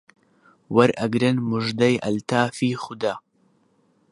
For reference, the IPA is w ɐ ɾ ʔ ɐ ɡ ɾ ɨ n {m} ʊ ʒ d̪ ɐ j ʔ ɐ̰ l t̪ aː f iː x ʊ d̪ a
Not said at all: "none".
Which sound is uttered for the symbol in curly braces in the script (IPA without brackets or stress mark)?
m